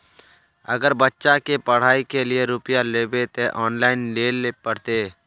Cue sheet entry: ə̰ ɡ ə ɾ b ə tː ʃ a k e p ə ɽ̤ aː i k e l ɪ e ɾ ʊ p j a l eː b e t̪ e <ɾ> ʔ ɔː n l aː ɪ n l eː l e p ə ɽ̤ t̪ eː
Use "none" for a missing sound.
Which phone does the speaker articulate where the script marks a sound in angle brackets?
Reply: none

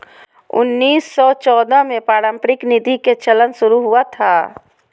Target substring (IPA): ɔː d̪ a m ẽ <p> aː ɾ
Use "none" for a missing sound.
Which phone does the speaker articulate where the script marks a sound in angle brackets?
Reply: p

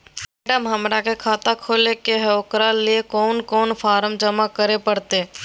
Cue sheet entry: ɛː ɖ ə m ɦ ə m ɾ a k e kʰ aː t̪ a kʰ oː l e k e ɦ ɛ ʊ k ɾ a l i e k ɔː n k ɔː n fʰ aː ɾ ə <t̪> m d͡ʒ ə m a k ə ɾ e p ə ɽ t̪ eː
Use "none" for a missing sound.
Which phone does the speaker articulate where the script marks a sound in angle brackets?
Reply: none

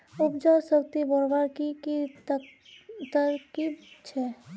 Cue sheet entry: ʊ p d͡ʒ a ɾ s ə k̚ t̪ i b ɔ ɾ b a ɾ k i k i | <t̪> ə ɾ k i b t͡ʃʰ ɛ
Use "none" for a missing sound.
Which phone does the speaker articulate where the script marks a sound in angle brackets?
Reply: t̪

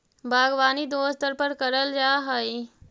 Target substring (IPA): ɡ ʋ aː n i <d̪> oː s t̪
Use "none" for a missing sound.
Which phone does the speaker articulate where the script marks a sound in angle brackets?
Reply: d̪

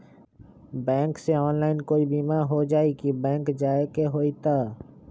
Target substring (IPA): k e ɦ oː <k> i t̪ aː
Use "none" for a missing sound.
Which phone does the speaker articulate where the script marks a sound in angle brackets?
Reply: none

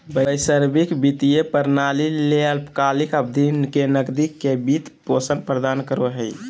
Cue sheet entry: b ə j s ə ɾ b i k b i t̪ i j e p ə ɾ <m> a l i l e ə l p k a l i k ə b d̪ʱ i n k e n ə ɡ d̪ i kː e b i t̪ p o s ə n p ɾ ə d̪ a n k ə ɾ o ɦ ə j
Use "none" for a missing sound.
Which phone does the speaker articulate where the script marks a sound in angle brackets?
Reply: n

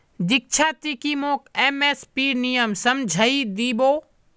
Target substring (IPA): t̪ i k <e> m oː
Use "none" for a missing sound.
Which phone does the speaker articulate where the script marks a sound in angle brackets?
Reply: i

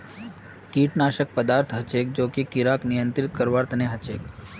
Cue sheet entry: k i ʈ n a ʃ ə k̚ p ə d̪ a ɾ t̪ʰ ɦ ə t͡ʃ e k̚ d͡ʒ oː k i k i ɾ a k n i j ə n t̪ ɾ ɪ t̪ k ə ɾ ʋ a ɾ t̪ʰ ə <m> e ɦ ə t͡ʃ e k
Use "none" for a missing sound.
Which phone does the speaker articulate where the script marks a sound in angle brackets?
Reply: n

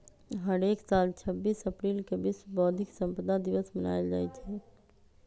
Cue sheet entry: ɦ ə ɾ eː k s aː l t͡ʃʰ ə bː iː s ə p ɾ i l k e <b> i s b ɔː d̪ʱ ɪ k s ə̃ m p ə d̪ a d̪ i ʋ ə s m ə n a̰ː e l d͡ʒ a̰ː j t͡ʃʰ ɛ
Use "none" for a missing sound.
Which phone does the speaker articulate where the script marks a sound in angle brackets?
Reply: b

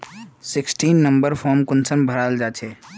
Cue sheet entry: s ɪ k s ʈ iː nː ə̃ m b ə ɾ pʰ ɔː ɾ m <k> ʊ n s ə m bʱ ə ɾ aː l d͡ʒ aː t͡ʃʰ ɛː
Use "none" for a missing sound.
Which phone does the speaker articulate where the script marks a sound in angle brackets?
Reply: k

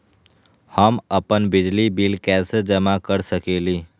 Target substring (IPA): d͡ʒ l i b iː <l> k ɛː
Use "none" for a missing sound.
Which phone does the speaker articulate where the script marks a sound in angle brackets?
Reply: l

